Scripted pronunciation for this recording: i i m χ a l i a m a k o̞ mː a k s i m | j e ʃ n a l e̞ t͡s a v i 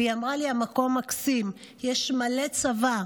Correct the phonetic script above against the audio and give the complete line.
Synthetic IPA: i a m ʁ a l i a m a k o̞ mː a k s i m | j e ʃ m a l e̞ t͡s a v a

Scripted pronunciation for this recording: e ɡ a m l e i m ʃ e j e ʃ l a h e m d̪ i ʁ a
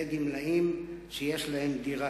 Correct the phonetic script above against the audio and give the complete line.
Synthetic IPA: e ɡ i m l a i m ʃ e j e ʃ l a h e m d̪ i ʁ a

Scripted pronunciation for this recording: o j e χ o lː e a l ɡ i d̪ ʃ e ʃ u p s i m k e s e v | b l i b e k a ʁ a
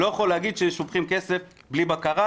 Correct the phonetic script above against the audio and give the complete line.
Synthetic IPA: o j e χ o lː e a ɡ i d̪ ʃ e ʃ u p χ i m k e s e f | b l i b a k a ʁ a

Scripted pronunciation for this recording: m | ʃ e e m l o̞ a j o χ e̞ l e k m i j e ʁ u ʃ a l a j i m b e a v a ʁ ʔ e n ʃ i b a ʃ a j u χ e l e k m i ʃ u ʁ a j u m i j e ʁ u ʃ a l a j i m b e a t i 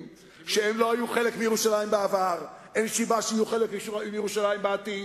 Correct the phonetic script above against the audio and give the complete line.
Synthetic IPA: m | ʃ e e m l o̞ a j u χ e̞ l e k m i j e ʁ u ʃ a l a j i m b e a v a ʁ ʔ e n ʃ i b a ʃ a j u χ e l e k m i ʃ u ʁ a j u m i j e ʁ u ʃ a l a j i m b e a t i

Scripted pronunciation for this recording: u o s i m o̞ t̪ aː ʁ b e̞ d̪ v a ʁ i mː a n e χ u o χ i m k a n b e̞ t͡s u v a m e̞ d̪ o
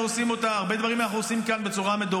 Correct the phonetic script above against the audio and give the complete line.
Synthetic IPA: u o s i m o̞ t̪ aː ʁ b e̞ d̪ v a ʁ i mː a n a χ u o s i m k a n b e̞ t͡s u ʁ a m e̞ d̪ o

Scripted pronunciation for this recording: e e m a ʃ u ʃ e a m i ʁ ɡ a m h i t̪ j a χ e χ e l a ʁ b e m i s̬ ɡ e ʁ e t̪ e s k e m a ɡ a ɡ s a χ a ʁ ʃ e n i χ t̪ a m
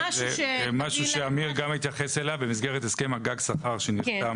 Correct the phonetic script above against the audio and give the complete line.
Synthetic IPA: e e m a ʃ u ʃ e a m i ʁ ɡ a m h i t̪ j a χ e s e l a v b e m i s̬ ɡ e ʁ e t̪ e s k e m a ɡ a ɡ s a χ a ʁ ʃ e n i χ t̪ a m

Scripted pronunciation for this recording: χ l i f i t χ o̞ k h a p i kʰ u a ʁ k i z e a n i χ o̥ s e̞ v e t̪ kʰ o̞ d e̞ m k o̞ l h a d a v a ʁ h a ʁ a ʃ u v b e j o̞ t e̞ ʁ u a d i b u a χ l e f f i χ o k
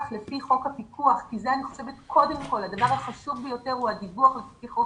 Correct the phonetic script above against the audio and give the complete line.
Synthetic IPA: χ l e f i χ o̞ k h a p i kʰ u a χ k i z e a n i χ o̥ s e̞ v e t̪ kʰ o̞ d e̞ m k o̞ l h a d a v a ʁ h a χ a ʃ u v b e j o̞ t e̞ ʁ u a d i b u a χ l e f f i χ o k

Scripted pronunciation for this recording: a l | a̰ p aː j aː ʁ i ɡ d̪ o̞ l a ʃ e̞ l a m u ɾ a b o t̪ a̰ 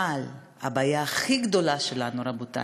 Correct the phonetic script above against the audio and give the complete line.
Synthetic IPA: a l | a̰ b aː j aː χ i ɡ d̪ o̞ l a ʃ e̞ l a n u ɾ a b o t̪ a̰

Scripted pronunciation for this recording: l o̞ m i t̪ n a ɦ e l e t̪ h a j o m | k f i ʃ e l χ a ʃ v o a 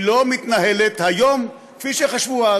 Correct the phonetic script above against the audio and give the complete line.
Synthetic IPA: l o̞ m i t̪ n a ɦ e l e t̪ h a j o m | k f i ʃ e χ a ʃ v u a

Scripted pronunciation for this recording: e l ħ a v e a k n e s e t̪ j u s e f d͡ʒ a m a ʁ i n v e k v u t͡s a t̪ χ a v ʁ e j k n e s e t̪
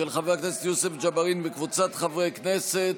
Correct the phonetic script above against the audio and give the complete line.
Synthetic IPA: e l χ a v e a k n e s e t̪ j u s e f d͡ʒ a b a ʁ i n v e k v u t͡s a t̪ χ a v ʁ e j k n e s e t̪

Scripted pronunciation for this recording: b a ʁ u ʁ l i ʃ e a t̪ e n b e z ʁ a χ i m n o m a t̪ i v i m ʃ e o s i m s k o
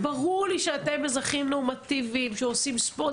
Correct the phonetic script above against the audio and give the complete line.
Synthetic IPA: b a ʁ u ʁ l i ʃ e a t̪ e m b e z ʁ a χ i m n o m a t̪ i v i m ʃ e o s i m s p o

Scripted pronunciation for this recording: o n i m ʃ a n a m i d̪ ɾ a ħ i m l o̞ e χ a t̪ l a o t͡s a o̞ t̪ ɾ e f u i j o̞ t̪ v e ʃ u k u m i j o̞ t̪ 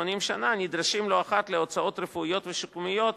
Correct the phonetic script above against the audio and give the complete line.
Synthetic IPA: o n i m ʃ a n a n i d̪ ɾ a ʃ i m l o̞ a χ a t̪ l e o t͡s a o̞ t̪ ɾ e f u i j o̞ t̪ v e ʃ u k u m i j o̞ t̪

